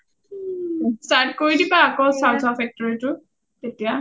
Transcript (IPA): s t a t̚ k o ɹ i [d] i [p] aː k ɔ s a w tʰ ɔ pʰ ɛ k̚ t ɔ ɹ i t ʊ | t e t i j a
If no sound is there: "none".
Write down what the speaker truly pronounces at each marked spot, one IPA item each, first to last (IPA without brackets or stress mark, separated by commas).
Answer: d, p